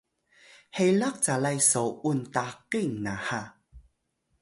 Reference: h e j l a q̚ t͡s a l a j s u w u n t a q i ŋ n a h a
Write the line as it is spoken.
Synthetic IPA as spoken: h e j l a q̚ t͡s a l a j s o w u n t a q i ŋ n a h a